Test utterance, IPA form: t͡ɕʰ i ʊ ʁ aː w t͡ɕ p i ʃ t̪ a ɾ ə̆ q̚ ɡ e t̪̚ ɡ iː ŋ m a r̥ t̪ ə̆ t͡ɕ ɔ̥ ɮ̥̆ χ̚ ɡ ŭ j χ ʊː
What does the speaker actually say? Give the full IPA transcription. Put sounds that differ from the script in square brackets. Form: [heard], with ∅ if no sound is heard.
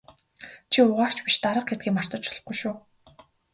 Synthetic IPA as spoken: t͡ɕʰ i ʊ ʁ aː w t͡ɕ p i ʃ t̪ a ɾ ə̆ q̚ ɡ e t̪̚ ɡ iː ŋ m a r̥ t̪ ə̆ t͡ɕ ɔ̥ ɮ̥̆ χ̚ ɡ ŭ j [ʃ] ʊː